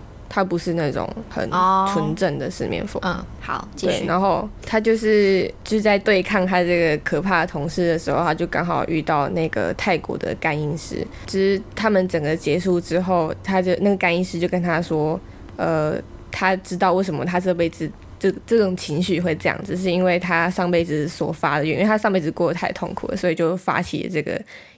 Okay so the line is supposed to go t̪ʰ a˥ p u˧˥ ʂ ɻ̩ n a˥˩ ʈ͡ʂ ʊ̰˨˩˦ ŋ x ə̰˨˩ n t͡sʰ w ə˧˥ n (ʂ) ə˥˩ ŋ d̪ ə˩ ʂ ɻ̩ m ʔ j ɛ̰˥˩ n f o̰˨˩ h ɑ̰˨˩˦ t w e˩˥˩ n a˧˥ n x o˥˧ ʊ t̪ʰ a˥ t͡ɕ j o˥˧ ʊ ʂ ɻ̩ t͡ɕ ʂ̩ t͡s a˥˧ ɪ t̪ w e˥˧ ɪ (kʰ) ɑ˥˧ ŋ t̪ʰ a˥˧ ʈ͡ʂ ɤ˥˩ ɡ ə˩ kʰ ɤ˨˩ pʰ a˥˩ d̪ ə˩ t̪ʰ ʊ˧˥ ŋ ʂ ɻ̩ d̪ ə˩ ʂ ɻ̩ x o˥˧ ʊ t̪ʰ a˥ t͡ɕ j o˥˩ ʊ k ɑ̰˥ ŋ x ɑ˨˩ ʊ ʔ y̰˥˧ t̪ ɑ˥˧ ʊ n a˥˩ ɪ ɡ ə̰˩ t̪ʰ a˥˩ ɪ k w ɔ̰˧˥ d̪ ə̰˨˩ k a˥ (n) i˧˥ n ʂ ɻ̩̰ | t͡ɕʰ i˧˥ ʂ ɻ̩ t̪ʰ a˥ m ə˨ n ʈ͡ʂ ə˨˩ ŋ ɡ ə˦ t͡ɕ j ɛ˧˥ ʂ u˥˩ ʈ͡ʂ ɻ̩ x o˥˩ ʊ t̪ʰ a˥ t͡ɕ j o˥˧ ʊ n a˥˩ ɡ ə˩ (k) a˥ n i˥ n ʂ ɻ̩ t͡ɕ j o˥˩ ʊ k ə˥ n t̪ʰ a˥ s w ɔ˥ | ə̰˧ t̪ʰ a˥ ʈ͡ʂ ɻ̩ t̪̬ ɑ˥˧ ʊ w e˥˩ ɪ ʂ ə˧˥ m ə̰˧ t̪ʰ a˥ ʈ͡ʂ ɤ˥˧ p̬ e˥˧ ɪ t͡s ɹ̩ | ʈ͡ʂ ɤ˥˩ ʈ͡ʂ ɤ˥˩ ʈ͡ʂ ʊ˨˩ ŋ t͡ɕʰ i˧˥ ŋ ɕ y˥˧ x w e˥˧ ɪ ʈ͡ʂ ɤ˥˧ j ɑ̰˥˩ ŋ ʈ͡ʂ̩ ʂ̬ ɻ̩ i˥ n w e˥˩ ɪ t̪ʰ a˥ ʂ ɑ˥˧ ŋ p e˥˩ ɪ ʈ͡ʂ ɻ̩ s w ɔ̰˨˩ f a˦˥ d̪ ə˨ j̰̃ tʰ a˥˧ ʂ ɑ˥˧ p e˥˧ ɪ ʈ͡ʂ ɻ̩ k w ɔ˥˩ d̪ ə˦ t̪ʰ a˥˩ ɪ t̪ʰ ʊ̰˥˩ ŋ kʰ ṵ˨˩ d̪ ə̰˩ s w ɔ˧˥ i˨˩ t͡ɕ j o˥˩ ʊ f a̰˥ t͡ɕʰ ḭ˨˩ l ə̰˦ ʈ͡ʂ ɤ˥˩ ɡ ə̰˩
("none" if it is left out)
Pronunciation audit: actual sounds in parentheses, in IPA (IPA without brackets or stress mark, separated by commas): ʈ͡ʂ, kʰ, n, k